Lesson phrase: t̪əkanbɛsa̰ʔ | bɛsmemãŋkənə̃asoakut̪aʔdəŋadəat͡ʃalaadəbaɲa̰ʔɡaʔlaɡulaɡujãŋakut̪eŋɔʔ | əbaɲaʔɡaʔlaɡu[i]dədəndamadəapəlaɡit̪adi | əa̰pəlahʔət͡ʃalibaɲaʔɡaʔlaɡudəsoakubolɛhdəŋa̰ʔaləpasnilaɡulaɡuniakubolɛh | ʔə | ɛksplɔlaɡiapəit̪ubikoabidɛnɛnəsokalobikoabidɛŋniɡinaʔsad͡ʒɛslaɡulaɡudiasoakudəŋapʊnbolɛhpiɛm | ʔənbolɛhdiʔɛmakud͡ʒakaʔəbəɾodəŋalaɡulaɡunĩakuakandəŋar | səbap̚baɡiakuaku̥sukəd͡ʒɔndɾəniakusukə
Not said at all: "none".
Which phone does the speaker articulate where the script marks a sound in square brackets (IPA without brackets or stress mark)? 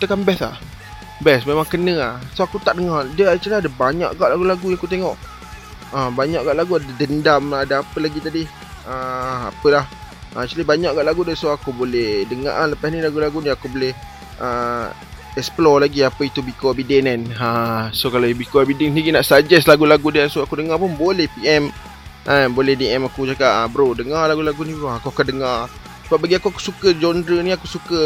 a